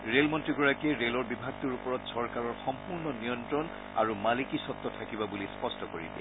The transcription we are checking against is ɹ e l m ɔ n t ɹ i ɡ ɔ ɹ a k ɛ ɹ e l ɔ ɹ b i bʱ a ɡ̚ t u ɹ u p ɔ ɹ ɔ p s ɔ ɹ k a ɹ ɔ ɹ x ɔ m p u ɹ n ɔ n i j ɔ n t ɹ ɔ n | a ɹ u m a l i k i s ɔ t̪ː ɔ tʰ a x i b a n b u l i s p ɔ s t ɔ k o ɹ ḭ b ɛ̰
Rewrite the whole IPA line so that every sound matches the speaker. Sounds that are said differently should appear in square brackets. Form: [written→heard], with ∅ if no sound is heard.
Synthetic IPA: ɹ e l m ɔ n t ɹ i ɡ ɔ ɹ a k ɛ ɹ e l ɔ ɹ b i bʱ a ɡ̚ t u ɹ u p ɔ ɹ ɔ [p→t] s ɔ ɹ k a ɹ ɔ ɹ x ɔ m p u ɹ n ɔ n i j ɔ n t ɹ ɔ n | a ɹ u m a l i k i s ɔ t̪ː ɔ tʰ a [x→k] i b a [n→∅] b u l i s p ɔ s t ɔ k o ɹ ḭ b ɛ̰